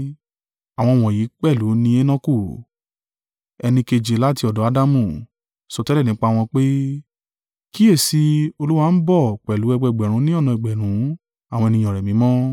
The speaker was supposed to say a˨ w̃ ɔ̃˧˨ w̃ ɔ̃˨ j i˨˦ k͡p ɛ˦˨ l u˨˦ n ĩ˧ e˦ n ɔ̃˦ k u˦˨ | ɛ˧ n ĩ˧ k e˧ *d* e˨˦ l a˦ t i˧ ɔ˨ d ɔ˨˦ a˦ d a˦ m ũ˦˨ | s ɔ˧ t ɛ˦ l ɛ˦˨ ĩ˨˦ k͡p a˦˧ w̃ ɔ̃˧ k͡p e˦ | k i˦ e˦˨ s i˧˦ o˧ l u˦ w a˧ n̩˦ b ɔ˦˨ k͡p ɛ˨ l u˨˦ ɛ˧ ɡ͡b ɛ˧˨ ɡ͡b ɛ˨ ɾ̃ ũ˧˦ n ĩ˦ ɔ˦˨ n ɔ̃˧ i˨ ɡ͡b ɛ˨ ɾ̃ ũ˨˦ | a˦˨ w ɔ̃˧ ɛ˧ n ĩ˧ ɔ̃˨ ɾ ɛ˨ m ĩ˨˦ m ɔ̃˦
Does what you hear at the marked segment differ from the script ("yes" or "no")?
yes